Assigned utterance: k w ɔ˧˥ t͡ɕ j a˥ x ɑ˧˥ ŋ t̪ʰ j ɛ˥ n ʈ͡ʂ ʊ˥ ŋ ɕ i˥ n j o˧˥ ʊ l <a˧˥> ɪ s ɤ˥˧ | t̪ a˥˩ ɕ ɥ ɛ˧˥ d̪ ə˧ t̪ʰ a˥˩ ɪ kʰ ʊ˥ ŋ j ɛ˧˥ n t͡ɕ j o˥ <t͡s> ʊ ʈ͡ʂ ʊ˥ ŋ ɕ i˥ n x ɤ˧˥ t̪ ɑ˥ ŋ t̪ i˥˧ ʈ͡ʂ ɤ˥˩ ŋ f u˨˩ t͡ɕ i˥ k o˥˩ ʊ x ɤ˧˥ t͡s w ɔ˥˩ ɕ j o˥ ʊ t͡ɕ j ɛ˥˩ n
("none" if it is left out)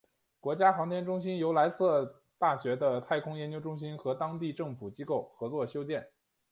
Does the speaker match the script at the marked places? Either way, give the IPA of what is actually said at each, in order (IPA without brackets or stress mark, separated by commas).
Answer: a˧˥, none